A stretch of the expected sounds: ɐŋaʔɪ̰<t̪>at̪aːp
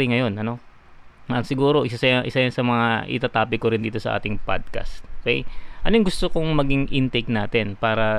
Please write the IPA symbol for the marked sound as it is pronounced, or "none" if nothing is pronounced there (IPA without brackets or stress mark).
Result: t̪